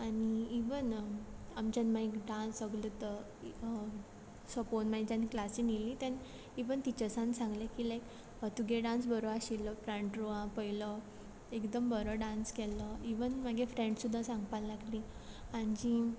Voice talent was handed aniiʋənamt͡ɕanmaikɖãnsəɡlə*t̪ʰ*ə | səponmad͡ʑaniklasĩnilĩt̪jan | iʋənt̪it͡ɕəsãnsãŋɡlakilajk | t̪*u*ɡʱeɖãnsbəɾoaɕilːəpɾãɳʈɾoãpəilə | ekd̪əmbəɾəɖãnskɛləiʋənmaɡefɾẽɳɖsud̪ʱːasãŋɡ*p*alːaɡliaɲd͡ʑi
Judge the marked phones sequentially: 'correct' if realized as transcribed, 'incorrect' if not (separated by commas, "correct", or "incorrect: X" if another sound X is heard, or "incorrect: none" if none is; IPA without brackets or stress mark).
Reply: incorrect: t̪, correct, correct